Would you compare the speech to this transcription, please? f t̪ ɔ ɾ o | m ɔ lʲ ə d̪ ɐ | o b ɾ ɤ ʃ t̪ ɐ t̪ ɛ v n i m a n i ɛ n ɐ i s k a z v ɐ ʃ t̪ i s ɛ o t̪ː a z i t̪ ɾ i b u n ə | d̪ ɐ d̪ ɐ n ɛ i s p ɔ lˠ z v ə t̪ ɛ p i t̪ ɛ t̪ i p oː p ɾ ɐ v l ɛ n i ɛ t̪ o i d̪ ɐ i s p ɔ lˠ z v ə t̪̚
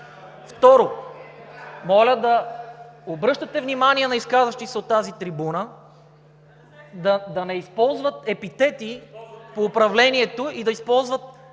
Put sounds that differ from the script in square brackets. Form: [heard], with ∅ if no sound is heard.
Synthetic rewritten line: f t̪ ɔ ɾ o | m ɔ lʲ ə d̪ ɐ | o b ɾ ɤ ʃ t̪ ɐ t̪ ɛ v n i m a n i ɛ n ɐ i s k a z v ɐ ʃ t̪ i s ɛ o t̪ː a z i t̪ ɾ i b u n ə | d̪ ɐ d̪ ɐ n ɛ i s p ɔ lˠ z v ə t̪ ɛ p i t̪ ɛ t̪ i p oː p ɾ ɐ v l ɛ n i ɛ t̪ o i d̪ ɐ i s p ɔ lˠ z v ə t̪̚